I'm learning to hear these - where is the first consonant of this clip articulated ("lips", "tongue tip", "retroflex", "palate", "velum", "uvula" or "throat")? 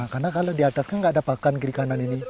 velum